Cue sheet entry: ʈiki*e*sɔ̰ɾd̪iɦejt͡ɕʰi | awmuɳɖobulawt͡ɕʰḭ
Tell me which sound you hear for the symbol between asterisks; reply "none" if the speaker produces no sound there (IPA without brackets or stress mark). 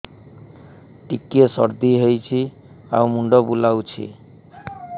e